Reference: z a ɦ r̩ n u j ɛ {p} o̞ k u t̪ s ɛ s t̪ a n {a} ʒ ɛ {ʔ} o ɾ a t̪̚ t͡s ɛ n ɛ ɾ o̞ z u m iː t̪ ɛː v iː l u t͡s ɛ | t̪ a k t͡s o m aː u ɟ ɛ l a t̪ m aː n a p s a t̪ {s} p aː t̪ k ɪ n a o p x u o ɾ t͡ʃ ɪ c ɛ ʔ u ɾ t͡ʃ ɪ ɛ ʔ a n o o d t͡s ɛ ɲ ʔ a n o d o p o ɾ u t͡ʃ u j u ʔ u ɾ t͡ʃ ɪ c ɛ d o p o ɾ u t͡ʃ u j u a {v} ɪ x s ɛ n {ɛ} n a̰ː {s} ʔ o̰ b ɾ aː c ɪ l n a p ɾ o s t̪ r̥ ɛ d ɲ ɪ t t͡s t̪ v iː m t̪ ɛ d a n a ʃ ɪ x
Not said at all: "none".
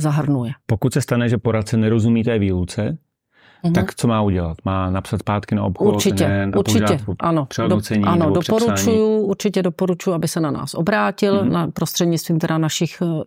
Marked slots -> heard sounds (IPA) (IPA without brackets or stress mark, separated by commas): p, ɛ, p, s, b, a, s